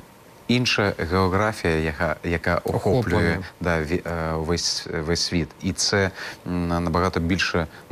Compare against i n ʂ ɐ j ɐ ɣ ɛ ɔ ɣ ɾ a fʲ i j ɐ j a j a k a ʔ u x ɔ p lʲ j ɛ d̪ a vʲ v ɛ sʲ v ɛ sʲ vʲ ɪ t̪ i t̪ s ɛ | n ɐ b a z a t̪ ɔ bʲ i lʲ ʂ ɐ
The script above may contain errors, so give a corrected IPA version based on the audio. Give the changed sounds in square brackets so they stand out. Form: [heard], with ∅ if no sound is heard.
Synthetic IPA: i n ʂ ɐ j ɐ ɣ ɛ ɔ ɣ ɾ a fʲ i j ɐ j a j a k a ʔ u x ɔ p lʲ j ɛ d̪ a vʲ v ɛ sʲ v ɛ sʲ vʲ [i] t̪ i t̪ s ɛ | n ɐ b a [ɣ] a t̪ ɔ bʲ i lʲ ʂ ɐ